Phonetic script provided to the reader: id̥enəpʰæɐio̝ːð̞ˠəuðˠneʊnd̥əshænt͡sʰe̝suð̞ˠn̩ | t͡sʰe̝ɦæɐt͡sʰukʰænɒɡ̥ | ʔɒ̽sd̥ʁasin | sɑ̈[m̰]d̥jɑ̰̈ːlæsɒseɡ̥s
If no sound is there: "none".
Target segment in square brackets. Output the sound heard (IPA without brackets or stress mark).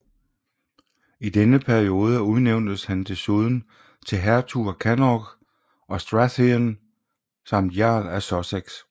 m̰